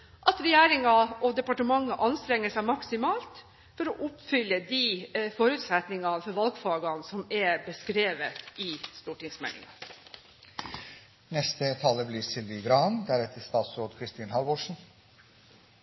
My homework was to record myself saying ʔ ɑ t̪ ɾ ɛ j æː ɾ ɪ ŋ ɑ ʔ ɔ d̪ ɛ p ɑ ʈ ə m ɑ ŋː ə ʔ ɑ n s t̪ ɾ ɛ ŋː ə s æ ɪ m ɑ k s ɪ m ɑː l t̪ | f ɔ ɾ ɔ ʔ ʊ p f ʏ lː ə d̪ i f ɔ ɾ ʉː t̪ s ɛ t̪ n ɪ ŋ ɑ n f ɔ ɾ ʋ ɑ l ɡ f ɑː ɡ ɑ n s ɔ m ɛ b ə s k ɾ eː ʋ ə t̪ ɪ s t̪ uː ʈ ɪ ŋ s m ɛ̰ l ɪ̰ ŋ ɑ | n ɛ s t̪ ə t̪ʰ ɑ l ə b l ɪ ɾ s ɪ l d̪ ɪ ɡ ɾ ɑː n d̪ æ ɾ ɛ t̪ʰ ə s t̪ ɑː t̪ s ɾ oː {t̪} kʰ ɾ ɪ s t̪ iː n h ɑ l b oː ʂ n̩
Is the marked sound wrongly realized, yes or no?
yes